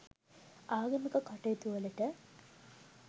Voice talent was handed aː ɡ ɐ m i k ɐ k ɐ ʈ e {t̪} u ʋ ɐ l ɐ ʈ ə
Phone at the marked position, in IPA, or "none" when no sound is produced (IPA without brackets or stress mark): t̪